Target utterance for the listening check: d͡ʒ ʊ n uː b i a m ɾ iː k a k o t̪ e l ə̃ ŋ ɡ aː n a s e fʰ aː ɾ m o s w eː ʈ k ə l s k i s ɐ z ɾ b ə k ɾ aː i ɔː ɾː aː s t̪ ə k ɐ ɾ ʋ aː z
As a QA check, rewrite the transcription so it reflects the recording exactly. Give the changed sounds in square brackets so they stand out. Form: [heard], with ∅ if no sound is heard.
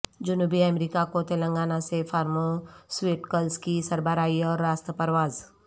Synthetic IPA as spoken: d͡ʒ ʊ n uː b i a m ɾ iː k a k o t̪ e l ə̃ ŋ ɡ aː n a s e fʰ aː ɾ m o s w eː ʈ k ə l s k i s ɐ [∅] ɾ b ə [∅] ɾ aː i ɔː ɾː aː s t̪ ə [p] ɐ ɾ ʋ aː z

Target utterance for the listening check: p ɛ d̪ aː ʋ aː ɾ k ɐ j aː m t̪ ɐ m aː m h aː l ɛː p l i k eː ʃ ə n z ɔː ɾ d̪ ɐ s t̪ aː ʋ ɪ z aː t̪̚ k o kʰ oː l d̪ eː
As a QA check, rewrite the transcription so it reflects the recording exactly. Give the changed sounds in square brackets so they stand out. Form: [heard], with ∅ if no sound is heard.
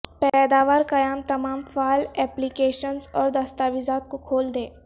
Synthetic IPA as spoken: p ɛ d̪ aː ʋ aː ɾ k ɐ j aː m t̪ ɐ m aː m [f] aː l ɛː p l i k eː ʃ ə n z ɔː ɾ d̪ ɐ s t̪ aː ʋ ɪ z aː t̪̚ k o kʰ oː l d̪ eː

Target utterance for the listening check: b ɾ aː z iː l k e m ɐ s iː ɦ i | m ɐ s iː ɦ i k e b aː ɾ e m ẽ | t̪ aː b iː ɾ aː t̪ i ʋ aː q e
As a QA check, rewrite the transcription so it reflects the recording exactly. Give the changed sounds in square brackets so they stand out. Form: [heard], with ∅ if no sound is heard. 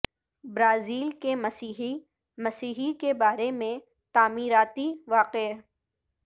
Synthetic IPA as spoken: b ɾ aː z iː l k e m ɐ s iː ɦ i | m ɐ s iː ɦ i k e b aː ɾ e m ẽ | t̪ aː [m] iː ɾ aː t̪ i ʋ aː q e

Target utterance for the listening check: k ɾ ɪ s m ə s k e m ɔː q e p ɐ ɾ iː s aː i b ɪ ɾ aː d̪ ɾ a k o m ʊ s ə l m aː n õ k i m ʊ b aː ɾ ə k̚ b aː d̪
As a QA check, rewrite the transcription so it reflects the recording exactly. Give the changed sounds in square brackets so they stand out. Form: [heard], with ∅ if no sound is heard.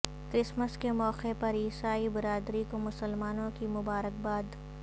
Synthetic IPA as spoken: k ɾ ɪ s m ə s k e m ɔː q e p ɐ ɾ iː s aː i b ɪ ɾ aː d̪ ɾ [i] k o m ʊ s ə l m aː n õ k i m ʊ b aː ɾ ə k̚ b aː d̪

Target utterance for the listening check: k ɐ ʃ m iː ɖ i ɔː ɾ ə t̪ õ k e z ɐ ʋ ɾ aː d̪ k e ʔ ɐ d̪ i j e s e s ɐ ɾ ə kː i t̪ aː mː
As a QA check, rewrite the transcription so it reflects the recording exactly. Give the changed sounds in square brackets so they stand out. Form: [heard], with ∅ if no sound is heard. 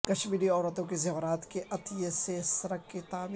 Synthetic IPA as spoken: k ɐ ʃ m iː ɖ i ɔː ɾ ə t̪ õ k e z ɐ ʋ ɾ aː [t̪] k e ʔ ɐ [t̪] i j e s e s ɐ ɾ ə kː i t̪ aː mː

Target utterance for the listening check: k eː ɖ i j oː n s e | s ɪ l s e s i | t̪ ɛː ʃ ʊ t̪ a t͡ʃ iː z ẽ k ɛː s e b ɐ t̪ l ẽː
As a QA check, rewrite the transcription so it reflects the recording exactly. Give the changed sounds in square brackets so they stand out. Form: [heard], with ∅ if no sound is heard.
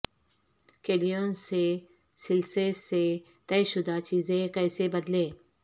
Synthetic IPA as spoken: k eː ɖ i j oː n s e | s ɪ l s e s [e] | t̪ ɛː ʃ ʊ [d̪] a t͡ʃ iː z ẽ k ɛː s e b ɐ [d̪] l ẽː

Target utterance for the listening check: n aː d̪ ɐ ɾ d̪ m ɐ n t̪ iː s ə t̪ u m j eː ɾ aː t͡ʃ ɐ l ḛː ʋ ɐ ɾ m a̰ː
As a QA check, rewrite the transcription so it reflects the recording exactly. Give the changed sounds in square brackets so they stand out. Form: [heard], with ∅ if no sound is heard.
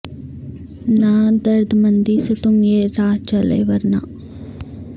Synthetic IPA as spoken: n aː d̪ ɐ ɾ d̪ m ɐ n [d̪] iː s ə t̪ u m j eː ɾ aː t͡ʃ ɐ l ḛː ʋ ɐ ɾ [n] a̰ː

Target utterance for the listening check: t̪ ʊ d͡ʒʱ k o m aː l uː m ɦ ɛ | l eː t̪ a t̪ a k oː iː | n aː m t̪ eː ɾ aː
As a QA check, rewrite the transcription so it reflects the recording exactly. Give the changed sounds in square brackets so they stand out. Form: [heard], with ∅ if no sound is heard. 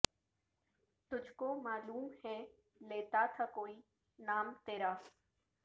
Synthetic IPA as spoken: t̪ ʊ d͡ʒʱ k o m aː l uː m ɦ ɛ | l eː t̪ a [t̪ʰ] a k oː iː | n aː m t̪ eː ɾ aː

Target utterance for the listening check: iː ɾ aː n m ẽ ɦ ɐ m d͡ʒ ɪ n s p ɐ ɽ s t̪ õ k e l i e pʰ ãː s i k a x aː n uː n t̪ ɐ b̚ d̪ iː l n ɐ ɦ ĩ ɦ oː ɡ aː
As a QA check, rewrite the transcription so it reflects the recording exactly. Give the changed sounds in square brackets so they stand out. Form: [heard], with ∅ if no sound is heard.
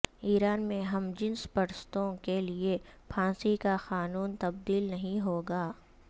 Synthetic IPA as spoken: iː ɾ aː n m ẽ ɦ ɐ m d͡ʒ ɪ n s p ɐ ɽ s t̪ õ k e l i e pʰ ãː s i k a x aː n uː n t̪ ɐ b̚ d̪ iː l n ɐ ɦ ĩ ɦ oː ɡ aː

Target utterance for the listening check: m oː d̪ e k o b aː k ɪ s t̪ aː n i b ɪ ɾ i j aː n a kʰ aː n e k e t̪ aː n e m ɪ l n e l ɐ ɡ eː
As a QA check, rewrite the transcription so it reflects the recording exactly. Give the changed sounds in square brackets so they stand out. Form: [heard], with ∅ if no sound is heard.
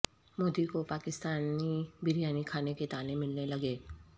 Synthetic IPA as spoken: m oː d̪ [i] k o [p] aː k ɪ s t̪ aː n i b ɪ ɾ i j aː n [i] kʰ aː n e k e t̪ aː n e m ɪ l n e l ɐ ɡ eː

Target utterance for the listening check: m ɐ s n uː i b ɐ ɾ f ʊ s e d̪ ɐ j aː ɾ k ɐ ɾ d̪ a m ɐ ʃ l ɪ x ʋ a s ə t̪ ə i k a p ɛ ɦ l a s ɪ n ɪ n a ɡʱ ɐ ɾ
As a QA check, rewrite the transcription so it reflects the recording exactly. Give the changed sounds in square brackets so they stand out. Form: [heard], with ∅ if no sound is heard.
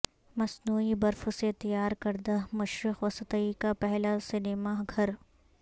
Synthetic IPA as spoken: m ɐ s n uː i b ɐ ɾ f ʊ s e [t̪] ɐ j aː ɾ k ɐ ɾ d̪ a m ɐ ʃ [ɾ] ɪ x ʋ [ɐ] s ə t̪ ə i k a p ɛ ɦ l a s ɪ n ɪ [m] a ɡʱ ɐ ɾ

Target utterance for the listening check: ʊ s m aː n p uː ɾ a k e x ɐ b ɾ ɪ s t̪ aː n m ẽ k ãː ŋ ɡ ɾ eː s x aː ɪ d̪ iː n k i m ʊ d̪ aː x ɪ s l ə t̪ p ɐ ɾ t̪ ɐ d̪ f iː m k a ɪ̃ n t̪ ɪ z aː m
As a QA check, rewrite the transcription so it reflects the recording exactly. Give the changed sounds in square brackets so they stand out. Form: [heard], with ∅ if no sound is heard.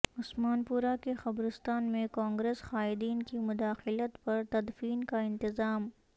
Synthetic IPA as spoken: ʊ s m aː n p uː ɾ a k e x ɐ b ɾ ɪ s t̪ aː n m ẽ k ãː ŋ ɡ ɾ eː s x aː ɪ d̪ iː n k i m ʊ d̪ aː x ɪ [∅] l ə t̪ p ɐ ɾ t̪ ɐ d̪ f iː [n] k a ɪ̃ n t̪ ɪ z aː m

